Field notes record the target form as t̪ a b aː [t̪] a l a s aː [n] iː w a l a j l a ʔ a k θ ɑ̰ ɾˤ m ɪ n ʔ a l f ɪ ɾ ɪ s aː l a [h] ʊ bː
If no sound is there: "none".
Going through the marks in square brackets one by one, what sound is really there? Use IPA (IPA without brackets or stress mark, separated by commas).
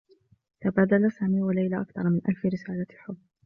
d̪, m, ħ